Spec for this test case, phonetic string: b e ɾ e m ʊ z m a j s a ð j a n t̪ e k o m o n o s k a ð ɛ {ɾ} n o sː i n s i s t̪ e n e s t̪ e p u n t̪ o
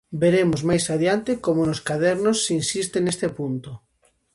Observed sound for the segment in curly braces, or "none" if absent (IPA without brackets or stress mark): ɾ